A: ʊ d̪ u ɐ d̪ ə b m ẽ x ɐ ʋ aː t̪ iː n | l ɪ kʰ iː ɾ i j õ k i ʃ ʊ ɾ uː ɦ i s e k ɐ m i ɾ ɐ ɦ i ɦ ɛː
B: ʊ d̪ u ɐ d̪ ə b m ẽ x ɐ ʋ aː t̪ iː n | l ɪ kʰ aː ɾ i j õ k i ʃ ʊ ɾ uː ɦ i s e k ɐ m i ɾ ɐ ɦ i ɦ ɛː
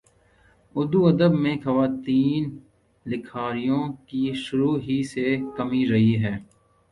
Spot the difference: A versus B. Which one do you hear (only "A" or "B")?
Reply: B